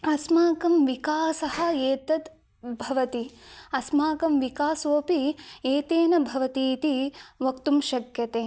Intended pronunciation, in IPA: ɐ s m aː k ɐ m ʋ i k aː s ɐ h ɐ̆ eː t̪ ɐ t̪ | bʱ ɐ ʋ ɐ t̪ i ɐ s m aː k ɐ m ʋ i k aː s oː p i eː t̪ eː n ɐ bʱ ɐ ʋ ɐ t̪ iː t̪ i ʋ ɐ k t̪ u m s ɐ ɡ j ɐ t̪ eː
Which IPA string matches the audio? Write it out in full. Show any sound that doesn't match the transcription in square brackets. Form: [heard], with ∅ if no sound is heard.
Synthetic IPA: ɐ s m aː k ɐ m ʋ i k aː s ɐ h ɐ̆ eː t̪ ɐ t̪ | bʱ ɐ ʋ ɐ t̪ i ɐ s m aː k ɐ m ʋ i k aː s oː p i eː t̪ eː n ɐ bʱ ɐ ʋ ɐ t̪ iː t̪ i ʋ ɐ k t̪ u m [ʃ] ɐ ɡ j ɐ t̪ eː